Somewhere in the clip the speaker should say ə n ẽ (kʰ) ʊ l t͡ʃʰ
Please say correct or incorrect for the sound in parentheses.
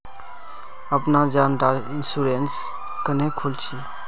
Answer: correct